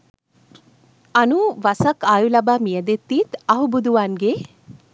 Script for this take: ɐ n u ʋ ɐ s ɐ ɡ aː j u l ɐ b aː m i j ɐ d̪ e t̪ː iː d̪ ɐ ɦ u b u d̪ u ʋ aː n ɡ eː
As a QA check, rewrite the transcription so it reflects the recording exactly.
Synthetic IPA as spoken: ɐ n u ʋ ɐ s ɐ k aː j u l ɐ b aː m i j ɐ d̪ e t̪ː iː t̪ ɐ ɦ u b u d̪ u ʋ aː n ɡ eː

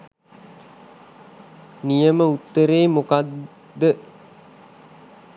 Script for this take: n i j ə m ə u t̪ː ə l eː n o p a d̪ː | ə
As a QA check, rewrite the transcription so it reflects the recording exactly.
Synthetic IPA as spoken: n i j ə m ə u t̪ː ə ɾ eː m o k a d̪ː | ə

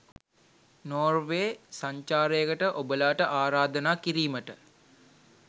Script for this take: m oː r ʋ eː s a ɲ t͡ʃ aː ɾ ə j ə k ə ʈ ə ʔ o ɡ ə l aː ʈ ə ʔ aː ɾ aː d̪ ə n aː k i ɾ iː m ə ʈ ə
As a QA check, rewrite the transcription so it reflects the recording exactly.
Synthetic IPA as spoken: n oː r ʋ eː s a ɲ t͡ʃ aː ɾ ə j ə k ə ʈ ə ʔ o b ə l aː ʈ ə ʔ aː ɾ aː d̪ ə n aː k i ɾ iː m ə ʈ ə

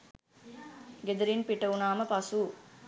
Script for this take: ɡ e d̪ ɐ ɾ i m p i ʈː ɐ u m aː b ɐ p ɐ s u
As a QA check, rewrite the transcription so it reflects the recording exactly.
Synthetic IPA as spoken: ɡ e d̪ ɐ ɾ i n p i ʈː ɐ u n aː m ɐ p ɐ s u

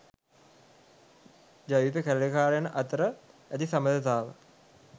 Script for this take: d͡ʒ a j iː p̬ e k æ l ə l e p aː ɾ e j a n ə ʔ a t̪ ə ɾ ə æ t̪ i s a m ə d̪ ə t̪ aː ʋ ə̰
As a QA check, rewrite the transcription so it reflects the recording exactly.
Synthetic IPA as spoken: d͡ʒ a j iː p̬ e k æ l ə l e k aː ɾ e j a n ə ʔ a t̪ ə ɾ ə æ t̪ i s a m ə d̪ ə t̪ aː ʋ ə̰

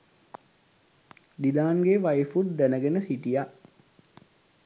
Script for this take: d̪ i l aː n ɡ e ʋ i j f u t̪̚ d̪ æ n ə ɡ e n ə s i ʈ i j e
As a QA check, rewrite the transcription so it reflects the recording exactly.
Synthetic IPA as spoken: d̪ i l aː n ɡ e ʋ a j f u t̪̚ d̪ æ n ə ɡ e n ə s i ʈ i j a

